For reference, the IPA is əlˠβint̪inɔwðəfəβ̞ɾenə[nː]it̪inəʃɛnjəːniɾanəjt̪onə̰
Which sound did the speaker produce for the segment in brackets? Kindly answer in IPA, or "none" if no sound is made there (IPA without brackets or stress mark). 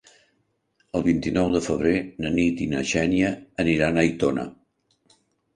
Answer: n